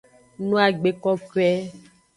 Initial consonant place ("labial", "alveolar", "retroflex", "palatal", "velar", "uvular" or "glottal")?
alveolar